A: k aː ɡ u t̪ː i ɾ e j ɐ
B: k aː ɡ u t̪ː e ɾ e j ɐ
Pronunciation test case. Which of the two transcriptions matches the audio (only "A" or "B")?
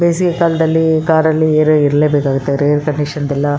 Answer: B